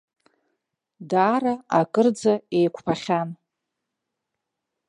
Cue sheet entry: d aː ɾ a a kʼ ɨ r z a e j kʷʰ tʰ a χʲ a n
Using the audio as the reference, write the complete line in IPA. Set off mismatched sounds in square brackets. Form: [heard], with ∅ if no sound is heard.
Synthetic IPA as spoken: d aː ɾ a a kʼ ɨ r [d͡z] a e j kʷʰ [pʰ] a χʲ a n